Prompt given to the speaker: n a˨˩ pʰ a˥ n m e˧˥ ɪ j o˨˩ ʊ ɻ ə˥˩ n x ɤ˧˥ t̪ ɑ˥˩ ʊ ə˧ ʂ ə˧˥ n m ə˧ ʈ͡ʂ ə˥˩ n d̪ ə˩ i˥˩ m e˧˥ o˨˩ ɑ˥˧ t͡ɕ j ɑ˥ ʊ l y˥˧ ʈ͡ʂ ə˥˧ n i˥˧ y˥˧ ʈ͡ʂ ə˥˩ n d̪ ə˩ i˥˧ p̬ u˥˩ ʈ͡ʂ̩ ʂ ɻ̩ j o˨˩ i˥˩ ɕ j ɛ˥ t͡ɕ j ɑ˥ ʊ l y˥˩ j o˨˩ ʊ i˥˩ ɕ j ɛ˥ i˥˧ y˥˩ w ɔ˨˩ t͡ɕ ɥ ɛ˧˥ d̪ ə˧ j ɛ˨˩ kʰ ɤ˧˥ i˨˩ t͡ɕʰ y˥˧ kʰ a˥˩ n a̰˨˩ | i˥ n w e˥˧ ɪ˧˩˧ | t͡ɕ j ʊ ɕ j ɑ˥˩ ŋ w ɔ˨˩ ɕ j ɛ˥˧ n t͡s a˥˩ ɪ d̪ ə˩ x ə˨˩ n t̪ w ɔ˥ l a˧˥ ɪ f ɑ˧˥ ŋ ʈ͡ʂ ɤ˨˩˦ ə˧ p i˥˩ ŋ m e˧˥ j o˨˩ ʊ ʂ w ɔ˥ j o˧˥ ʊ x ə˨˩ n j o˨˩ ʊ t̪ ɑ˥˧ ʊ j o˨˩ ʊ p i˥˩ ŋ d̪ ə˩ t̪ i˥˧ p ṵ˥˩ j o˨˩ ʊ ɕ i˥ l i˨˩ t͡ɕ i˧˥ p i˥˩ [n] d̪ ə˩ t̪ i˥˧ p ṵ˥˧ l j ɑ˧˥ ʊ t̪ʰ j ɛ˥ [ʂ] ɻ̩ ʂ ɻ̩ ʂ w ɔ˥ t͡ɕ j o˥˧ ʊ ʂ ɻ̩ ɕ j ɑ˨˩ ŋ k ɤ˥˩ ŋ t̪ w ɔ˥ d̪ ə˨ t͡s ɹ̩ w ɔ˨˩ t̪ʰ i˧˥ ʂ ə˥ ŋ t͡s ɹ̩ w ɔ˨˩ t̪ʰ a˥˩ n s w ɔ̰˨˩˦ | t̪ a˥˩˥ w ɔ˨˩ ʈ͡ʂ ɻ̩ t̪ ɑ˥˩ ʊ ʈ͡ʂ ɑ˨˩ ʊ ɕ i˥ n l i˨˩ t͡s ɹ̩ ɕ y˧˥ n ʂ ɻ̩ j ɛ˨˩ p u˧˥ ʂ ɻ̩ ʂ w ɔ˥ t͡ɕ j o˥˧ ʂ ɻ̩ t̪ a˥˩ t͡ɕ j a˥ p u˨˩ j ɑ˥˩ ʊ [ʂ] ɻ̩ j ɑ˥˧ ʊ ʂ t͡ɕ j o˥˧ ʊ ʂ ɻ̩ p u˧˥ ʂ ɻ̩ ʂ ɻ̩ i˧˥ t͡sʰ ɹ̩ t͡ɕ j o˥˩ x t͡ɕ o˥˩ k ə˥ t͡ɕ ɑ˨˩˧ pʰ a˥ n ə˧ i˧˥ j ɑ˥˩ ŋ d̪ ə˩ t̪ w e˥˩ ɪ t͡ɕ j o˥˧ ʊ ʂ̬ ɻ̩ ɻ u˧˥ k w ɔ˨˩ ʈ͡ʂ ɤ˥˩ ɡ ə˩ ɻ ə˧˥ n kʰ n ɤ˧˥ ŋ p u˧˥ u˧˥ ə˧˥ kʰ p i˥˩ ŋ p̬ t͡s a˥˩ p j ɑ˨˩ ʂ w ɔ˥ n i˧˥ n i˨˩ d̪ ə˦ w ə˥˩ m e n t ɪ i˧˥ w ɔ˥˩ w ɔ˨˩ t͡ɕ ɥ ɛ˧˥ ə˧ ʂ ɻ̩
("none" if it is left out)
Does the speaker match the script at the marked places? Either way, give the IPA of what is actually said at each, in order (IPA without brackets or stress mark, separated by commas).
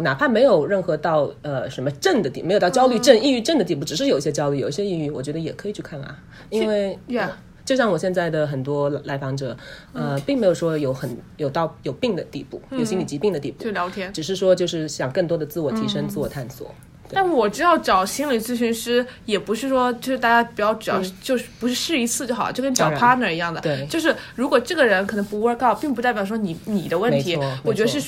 ŋ, ʈ͡ʂ, ʈ͡ʂ